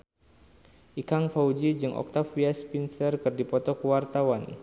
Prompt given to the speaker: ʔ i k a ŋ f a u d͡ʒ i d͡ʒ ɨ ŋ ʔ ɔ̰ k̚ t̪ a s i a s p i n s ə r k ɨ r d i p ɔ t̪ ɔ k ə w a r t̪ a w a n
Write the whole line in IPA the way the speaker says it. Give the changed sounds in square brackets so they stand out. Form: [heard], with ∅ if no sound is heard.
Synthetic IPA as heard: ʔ i k a ŋ f a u d͡ʒ i d͡ʒ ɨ ŋ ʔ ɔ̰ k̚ t̪ a [f] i a s p i n s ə r k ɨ r d i p ɔ t̪ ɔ k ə w a r t̪ a w a n